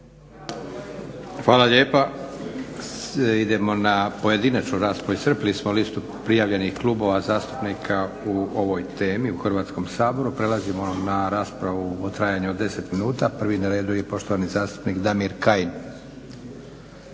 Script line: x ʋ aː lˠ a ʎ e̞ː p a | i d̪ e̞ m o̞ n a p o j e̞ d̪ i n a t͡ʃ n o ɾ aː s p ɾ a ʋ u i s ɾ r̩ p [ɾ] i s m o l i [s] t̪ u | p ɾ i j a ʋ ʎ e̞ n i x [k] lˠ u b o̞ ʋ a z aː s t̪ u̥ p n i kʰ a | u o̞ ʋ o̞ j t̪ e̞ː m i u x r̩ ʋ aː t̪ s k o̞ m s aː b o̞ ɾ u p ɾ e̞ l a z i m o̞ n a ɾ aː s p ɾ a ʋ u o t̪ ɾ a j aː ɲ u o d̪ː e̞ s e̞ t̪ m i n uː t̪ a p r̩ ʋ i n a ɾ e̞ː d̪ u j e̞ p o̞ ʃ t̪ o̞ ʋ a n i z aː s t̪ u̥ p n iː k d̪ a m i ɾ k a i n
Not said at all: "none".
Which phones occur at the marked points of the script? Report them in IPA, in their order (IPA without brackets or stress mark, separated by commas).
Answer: l, s, k